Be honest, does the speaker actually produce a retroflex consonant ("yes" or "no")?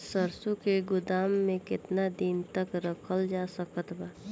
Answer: no